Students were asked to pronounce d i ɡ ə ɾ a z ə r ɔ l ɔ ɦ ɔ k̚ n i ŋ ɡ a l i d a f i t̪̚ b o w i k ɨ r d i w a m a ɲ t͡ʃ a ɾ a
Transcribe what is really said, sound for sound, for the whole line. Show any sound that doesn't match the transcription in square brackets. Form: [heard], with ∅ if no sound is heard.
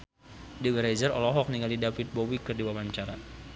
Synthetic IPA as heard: d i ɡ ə ɾ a z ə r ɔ l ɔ ɦ ɔ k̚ n i ŋ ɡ a l i d a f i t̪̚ b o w i k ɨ r d i w a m a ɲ t͡ʃ a ɾ a